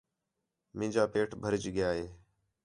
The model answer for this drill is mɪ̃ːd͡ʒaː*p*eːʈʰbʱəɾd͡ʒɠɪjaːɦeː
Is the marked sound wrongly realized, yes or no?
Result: no